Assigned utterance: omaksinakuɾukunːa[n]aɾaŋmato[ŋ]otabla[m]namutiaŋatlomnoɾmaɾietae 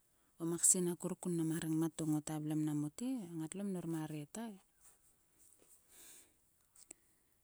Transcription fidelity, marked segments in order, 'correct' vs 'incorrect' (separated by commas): incorrect, correct, correct